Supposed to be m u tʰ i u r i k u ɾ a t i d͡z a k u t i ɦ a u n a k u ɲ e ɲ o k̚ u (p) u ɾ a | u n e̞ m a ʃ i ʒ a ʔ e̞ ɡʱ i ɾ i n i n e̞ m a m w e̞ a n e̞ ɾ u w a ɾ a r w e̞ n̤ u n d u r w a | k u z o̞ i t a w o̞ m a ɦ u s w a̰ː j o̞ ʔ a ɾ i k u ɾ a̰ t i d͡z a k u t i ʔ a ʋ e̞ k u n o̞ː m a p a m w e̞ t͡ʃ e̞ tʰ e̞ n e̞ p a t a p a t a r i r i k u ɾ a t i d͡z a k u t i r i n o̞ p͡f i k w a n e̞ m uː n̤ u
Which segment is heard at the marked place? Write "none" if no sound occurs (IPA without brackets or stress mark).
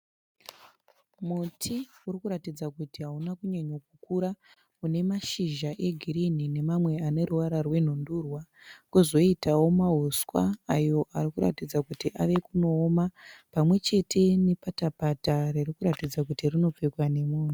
k